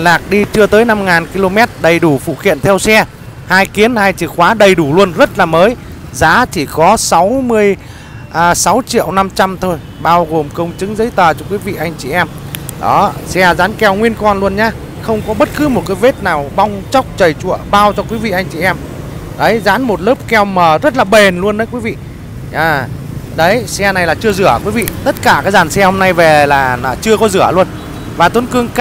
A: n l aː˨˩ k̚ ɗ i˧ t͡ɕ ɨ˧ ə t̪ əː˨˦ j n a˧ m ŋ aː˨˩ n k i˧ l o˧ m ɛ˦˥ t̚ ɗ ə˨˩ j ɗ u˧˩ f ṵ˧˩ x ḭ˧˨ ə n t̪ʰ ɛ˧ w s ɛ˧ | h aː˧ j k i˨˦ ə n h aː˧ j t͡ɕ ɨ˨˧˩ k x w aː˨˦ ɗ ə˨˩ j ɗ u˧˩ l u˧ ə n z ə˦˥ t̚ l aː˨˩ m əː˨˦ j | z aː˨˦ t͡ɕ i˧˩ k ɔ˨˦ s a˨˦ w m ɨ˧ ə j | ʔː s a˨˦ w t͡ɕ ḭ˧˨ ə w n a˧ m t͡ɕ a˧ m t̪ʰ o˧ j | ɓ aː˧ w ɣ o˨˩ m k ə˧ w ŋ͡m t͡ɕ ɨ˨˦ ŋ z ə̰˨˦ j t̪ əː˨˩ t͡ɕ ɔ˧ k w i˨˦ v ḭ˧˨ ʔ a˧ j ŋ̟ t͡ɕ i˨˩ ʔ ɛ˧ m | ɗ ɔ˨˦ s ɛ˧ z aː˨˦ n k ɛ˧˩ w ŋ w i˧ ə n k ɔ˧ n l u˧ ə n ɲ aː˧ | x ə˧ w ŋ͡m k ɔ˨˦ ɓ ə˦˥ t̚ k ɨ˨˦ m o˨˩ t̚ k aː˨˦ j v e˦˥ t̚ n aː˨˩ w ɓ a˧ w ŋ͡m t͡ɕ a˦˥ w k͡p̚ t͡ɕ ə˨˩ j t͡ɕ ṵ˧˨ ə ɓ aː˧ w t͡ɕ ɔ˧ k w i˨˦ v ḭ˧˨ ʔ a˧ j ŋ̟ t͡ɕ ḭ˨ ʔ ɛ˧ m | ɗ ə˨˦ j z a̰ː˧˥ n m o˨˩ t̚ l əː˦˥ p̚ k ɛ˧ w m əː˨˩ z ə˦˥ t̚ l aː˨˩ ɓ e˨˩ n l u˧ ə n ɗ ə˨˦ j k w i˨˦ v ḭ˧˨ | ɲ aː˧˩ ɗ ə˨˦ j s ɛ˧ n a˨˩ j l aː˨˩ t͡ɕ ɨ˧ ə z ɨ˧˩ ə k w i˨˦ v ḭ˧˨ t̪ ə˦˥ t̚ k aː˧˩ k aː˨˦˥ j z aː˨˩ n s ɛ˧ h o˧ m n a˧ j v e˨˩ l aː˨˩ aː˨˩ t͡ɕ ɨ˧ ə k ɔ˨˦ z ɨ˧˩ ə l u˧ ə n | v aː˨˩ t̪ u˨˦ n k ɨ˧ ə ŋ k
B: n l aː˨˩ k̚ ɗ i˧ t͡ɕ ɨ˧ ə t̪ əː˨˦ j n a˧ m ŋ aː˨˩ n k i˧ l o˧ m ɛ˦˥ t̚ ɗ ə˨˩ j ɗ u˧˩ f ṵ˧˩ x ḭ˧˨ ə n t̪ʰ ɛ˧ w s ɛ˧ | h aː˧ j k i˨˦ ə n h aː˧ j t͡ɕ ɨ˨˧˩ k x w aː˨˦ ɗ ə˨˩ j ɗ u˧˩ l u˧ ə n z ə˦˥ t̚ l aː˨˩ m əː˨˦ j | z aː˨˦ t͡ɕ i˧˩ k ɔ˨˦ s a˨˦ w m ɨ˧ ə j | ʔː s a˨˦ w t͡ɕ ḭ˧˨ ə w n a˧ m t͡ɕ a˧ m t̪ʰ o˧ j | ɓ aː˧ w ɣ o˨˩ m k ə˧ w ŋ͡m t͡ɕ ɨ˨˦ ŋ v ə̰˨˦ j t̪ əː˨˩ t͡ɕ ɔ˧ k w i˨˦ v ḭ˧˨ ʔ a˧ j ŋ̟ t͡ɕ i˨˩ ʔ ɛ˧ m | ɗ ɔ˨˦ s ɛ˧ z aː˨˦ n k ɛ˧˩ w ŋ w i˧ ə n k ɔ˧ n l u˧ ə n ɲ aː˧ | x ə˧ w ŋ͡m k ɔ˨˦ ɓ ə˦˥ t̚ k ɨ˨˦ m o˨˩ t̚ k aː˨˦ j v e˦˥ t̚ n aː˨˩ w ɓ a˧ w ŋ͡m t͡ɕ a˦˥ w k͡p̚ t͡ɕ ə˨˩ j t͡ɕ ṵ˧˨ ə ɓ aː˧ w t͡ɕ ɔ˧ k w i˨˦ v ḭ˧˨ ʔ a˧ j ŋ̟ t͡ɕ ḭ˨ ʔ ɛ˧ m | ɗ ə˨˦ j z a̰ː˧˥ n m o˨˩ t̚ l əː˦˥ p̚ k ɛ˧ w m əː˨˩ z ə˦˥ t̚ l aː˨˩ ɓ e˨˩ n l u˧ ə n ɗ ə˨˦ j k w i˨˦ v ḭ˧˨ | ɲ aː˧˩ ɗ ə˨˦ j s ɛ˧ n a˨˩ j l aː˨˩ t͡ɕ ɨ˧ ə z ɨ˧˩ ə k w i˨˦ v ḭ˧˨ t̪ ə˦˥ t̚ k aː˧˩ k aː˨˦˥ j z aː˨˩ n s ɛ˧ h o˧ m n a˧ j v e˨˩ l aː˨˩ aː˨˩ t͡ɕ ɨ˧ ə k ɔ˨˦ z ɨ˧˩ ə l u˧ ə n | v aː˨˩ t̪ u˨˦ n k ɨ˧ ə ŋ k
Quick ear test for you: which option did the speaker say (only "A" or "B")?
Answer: A